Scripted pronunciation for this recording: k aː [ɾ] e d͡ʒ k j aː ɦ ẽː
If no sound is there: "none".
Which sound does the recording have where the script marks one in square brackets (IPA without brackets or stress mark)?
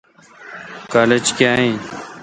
l